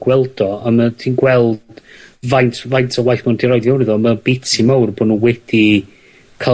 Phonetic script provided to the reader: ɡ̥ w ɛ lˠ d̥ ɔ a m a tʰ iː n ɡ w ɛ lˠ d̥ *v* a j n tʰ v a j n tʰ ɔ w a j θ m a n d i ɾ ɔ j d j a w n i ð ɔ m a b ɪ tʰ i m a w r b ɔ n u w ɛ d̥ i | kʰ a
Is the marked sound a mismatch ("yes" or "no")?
no